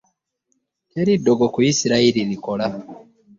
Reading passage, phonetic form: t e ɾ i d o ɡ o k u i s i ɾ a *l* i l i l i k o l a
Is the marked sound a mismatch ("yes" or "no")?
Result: yes